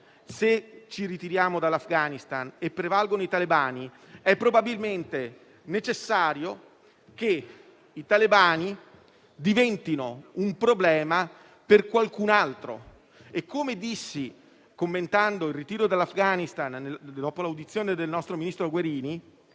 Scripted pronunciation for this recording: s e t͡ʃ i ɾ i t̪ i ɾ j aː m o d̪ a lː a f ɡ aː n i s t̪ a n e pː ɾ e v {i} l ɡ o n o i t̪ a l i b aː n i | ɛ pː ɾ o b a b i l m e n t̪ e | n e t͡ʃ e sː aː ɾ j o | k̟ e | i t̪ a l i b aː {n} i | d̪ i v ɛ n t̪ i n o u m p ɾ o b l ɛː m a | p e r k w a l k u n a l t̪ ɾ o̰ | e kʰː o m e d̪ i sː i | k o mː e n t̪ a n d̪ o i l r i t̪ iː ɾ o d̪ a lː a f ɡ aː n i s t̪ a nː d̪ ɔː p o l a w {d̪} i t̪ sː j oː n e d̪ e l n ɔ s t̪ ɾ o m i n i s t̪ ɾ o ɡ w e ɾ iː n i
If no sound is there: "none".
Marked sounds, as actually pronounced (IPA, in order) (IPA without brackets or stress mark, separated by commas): a, n, d̪